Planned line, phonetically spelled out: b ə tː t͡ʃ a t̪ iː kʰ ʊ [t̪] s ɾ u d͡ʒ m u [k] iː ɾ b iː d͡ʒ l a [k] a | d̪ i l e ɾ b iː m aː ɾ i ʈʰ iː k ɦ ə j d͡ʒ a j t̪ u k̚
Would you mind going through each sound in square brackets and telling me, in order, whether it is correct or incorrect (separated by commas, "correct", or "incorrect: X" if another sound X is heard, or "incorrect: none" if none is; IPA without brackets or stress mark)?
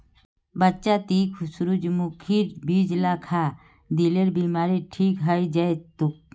incorrect: none, incorrect: kʰ, incorrect: kʰ